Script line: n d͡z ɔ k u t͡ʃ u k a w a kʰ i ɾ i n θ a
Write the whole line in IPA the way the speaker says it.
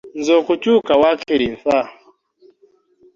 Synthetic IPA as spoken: n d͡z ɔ k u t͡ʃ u k a w a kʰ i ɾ i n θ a

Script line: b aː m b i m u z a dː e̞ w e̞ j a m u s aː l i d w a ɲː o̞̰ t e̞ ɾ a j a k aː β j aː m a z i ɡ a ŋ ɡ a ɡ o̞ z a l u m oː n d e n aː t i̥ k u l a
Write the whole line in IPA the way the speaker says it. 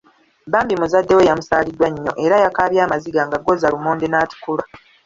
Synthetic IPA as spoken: b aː m b i m u z a dː e̞ w e̞ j a m u s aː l i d w a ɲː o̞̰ ʔ e̞ ɾ a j a k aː β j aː m a z i ɡ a ŋ ɡ a ɡ o̞ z a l u m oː n d e n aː t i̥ k u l a

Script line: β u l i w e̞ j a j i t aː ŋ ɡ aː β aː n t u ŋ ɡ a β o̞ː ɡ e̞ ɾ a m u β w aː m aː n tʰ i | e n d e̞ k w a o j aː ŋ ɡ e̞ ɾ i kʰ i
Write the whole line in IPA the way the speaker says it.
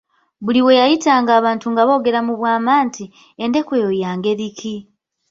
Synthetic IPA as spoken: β u l i w e̞ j a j i t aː ŋ ɡ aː β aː n t u ŋ ɡ a β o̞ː ɡ e̞ ɾ a m u β w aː m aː n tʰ i | e n d e̞ k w e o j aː ŋ ɡ e̞ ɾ i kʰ i

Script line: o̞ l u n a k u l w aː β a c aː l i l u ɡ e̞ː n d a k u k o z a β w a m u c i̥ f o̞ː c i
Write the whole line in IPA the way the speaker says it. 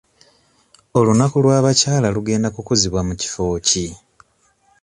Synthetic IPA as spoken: o̞ l u n a k u l w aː β a c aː l a l u ɡ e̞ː n d a k u k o z i β w a m u c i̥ f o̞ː c i

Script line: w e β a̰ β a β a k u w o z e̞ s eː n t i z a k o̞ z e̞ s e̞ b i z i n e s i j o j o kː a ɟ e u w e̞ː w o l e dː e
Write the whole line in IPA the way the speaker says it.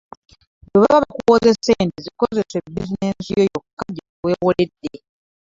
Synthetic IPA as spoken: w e β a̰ β a β a k u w o z e̞ s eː n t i z i k o̞ z e̞ s e̞ b i z i n e s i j o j o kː a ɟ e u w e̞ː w o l e dː e

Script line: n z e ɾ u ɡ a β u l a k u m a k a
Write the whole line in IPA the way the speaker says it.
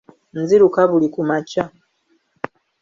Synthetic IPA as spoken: n z i ɾ u k a β u l i k u m a c a

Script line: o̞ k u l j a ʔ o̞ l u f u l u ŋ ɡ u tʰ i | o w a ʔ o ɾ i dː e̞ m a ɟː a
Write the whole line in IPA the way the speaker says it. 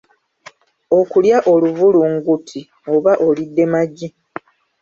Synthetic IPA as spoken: o̞ k u l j a ʔ o̞ l u v u l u ŋ ɡ u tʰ i | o β a ʔ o l i dː e̞ m a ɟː i

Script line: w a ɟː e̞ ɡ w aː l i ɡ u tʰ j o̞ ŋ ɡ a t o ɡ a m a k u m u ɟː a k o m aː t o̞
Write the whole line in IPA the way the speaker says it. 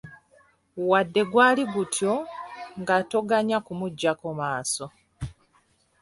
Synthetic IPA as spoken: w a dː e̞ ɡ w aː l i ɡ u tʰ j o̞ ŋ ɡ a t o ɡ a ɲ a k u m u ɟː a k o m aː s o̞

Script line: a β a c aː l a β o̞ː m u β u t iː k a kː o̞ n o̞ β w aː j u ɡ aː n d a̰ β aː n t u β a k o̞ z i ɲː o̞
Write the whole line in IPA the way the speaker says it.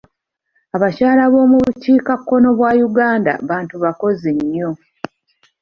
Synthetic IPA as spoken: a β a c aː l a β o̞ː m u β u c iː k a kː o̞ n o̞ β w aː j u ɡ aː n d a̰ β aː n t u β a k o̞ z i ɲː o̞

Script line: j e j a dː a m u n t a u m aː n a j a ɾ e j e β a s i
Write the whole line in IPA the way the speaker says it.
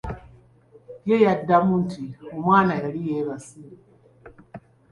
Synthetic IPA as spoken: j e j a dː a m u n t i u m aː n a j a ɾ i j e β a s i

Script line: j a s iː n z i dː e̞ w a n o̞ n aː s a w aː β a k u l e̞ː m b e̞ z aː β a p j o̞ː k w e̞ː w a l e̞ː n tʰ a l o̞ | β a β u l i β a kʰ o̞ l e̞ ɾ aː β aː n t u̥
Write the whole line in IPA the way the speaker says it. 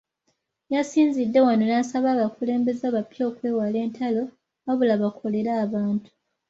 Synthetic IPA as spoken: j a s iː n z i dː e̞ w a n o̞ n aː s a β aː β a k u l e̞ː m b e̞ z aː β a p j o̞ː k w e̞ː w a l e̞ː n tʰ a l o̞ | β a β u l a β a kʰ o̞ l e̞ ɾ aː β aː n t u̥

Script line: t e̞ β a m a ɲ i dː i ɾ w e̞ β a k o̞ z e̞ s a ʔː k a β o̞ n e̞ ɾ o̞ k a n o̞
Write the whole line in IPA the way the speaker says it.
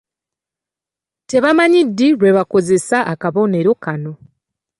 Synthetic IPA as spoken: t e̞ β a m a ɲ i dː i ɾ w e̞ β a k o̞ z e̞ s a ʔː k a β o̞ n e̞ ɾ o̞ k a n o̞

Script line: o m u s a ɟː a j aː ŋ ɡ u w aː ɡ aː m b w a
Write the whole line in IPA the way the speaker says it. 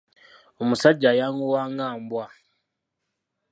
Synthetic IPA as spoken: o m u s a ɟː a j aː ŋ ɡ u w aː ŋ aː m b w a

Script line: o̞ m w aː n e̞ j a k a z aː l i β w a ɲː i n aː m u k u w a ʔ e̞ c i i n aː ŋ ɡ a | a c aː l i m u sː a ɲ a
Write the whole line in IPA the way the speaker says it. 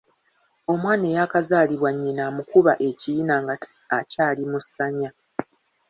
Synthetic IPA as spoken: o̞ m w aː n e̞ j a k a z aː l i β w a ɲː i n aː m u k u β a ʔ e̞ c i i n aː ŋ ɡ a | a c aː l i m u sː a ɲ a

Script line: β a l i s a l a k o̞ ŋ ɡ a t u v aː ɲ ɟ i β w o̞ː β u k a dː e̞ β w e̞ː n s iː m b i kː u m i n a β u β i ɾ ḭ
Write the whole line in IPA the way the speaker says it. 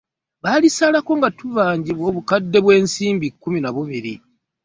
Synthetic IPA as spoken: β a l i s a l a k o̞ ŋ ɡ a t u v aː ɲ ɟ i β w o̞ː β u k a dː e̞ β w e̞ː n s iː m b i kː u m i n a β u β i ɾ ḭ

